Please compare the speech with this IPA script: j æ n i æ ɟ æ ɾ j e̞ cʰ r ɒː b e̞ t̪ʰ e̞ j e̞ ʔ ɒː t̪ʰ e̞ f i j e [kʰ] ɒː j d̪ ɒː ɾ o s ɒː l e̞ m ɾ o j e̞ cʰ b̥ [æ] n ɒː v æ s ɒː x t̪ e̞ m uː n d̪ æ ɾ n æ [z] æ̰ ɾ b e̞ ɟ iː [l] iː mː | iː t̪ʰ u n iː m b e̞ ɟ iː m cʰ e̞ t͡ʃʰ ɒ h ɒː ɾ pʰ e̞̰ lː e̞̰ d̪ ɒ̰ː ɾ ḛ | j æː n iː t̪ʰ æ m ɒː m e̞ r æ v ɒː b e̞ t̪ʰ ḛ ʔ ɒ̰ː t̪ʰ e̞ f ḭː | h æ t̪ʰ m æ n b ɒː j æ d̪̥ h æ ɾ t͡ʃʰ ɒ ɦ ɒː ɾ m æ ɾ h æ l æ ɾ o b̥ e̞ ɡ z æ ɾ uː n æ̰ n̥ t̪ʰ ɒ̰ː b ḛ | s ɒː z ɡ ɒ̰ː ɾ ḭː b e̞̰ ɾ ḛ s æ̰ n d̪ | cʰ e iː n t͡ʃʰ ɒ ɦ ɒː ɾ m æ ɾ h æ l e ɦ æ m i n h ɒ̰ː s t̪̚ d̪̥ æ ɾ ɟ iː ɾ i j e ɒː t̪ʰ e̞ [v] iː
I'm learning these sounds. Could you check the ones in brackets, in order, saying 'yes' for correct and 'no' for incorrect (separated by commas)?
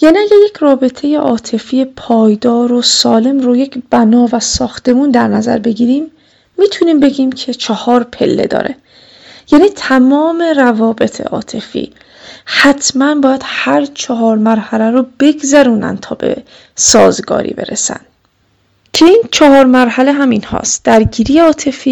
no, yes, yes, no, no